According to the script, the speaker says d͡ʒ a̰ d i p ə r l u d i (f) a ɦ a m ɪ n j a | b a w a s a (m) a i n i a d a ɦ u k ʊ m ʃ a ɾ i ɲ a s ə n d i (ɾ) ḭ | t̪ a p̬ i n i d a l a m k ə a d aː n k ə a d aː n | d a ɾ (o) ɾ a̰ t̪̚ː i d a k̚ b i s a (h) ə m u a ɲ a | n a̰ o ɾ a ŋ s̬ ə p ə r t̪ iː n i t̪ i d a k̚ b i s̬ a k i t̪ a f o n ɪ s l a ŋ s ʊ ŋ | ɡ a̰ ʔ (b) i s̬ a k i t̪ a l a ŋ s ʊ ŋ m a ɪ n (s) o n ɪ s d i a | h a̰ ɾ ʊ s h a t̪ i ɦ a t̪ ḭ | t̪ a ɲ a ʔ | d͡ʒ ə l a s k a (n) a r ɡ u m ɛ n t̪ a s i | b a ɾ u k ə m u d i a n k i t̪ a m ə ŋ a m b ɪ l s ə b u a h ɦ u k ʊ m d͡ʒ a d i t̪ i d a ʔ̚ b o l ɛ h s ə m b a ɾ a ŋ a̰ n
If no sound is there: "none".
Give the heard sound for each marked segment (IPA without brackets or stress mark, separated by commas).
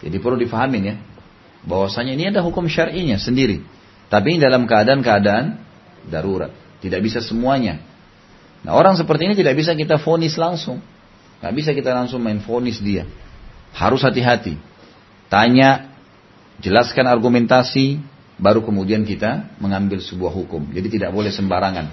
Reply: f, ɲ, ɾ, u, s, b, f, n